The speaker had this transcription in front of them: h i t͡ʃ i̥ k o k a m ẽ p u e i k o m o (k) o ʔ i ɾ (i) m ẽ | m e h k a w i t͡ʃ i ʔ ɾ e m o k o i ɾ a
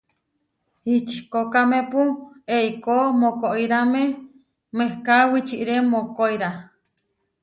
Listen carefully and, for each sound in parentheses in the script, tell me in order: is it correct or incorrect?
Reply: correct, incorrect: a

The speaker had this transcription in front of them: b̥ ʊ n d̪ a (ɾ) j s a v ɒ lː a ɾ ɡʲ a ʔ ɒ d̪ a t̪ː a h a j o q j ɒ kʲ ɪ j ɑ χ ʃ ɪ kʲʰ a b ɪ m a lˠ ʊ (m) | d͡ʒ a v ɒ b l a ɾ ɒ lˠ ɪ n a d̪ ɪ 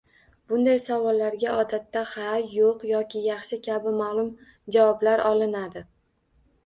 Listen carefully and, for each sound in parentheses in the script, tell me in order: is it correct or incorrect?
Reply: incorrect: none, correct

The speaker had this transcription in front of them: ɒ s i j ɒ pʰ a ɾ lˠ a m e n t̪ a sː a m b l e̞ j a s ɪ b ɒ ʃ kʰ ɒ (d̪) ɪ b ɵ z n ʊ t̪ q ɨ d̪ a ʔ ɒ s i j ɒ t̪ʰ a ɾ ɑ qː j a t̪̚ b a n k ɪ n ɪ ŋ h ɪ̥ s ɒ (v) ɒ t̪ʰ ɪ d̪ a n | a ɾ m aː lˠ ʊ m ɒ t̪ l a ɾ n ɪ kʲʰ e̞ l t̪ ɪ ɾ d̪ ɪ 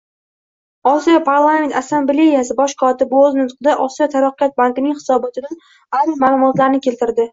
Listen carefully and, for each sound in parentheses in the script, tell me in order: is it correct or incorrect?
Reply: incorrect: t̪, incorrect: b

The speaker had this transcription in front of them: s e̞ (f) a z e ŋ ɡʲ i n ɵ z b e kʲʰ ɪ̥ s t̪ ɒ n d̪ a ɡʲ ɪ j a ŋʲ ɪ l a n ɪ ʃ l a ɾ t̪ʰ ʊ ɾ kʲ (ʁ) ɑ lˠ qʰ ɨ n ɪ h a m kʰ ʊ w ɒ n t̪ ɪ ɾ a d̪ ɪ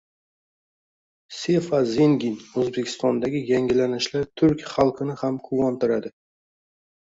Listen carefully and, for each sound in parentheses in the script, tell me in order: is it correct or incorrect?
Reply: correct, incorrect: χ

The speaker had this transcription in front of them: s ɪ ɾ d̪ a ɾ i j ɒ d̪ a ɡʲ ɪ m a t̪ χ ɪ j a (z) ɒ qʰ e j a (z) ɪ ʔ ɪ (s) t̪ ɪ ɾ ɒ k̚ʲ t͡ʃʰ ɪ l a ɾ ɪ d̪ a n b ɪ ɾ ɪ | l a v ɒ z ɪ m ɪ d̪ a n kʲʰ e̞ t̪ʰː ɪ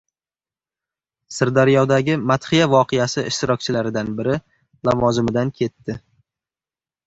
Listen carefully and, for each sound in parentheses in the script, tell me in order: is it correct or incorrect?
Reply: incorrect: v, incorrect: s, incorrect: ʃ

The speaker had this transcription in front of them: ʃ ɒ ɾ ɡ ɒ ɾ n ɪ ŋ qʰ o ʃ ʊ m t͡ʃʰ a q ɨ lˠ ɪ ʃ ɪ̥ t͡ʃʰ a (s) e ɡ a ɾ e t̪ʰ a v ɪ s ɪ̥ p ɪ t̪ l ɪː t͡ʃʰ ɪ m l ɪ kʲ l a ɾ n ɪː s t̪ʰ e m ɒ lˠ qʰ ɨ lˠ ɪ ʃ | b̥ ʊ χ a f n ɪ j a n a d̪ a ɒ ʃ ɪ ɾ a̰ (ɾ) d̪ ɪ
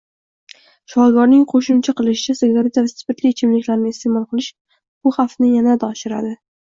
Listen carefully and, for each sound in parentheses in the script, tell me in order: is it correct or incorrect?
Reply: correct, incorrect: none

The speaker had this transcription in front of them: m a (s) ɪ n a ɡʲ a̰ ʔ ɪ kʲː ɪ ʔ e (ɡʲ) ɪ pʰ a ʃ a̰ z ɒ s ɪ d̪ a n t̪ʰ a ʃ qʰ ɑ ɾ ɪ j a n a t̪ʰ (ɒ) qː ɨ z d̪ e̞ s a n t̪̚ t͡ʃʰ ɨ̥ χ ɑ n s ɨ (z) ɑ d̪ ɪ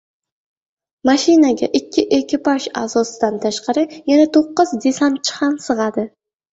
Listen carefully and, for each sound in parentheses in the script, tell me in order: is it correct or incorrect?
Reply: incorrect: ʃ, incorrect: kʲ, incorrect: o, incorrect: ʁ

